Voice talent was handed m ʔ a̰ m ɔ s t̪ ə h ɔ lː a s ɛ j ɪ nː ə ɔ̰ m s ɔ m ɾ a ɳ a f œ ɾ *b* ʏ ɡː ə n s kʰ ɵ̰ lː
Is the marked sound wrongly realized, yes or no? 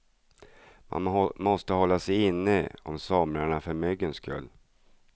yes